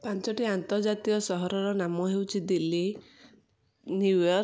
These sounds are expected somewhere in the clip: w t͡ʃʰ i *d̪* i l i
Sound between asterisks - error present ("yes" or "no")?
no